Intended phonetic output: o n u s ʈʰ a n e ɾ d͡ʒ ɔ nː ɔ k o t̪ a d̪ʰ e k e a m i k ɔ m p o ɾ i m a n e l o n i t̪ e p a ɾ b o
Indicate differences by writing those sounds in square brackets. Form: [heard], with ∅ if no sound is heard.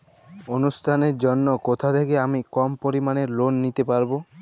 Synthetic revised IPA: o n u s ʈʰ a n e ɾ d͡ʒ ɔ nː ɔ k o [t̪ʰ] a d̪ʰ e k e a m i k ɔ m p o ɾ i m a n e l o [nː] i t̪ e p a ɾ b o